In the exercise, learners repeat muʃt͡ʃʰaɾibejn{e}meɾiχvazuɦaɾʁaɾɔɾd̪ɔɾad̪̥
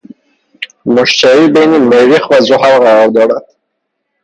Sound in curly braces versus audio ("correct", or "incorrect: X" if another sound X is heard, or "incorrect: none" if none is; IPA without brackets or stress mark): incorrect: i